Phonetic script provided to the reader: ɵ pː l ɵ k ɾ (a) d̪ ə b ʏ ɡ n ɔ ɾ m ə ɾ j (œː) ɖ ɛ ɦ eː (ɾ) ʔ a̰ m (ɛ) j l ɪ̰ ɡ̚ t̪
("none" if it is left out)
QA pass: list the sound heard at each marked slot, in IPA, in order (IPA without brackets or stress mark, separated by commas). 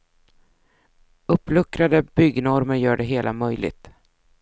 a, œː, l, œ